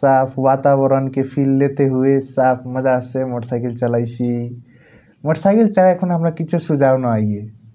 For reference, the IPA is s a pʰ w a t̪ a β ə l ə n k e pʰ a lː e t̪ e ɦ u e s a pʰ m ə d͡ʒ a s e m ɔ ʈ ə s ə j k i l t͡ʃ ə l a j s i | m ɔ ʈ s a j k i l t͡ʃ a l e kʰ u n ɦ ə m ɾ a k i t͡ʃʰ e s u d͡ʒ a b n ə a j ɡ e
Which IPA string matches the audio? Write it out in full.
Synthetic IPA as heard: s a pʰ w a t̪ a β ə ɾ ə n k e pʰ i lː e t̪ e ɦ u e s a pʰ m ə d͡ʒ a s e m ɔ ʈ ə s a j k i l t͡ʃ ə l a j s i | m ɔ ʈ s a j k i l t͡ʃ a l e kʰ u n ɦ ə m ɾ a k i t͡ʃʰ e s u d͡ʒ a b n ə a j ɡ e